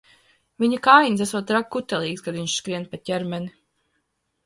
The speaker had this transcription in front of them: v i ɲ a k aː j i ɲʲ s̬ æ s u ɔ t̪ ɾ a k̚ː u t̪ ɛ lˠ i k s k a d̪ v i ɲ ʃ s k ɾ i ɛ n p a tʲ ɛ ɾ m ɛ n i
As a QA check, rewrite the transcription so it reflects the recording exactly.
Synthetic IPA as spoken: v i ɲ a k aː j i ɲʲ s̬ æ s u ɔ t̪ ɾ a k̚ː u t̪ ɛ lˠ iː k s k a d̪ v i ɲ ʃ s k ɾ i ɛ n p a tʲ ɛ ɾ m ɛ n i